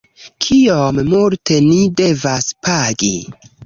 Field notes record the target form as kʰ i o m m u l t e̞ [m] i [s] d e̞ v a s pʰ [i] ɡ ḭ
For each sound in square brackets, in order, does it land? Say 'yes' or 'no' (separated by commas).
no, no, no